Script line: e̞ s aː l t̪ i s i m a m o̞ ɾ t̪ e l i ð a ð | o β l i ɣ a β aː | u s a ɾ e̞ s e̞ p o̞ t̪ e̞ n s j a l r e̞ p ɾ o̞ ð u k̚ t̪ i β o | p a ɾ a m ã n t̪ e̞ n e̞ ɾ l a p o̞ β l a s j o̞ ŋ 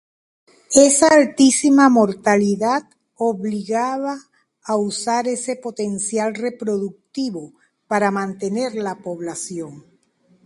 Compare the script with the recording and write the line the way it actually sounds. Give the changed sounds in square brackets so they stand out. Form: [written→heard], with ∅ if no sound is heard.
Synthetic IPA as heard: e̞ s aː l t̪ i s i m a m o̞ ɾ t̪ [e→a] l i ð a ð | o β l i ɣ a β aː | u s a ɾ e̞ s e̞ p o̞ t̪ e̞ n s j a l r e̞ p ɾ o̞ ð u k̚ t̪ i β o | p a ɾ a m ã n t̪ e̞ n e̞ ɾ l a p o̞ β l a s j o̞ ŋ